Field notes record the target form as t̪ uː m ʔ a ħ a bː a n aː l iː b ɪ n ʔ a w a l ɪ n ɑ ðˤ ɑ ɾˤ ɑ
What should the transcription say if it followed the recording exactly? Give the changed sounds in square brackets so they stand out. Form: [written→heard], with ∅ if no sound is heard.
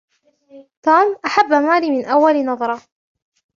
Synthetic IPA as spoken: t̪ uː m ʔ a ħ a bː a [n→m] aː l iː [b→m] ɪ n ʔ a [w→wː] a l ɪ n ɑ ðˤ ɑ ɾˤ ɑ